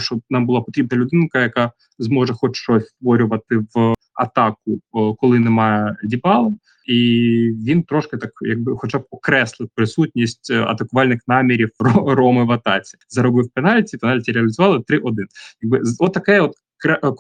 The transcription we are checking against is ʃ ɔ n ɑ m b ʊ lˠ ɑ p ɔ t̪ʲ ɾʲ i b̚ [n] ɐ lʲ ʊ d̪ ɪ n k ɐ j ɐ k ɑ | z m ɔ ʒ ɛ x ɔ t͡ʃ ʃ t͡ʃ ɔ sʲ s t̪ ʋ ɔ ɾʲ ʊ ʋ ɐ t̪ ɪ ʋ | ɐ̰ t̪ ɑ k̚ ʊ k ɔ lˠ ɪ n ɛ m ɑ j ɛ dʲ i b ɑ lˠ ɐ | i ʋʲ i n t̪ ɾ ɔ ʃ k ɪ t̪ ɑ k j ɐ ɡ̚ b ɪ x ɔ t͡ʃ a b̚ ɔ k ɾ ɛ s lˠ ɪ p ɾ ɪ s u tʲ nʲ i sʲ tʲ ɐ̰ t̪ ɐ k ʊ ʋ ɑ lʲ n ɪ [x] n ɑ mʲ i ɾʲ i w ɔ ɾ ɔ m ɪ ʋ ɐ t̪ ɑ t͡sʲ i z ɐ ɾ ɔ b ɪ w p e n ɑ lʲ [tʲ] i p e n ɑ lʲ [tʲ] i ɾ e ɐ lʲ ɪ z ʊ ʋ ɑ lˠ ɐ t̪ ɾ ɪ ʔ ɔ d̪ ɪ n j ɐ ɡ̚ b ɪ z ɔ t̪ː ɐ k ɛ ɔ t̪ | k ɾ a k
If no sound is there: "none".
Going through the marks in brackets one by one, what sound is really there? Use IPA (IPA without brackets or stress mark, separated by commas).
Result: n, x, tʲ, tʲ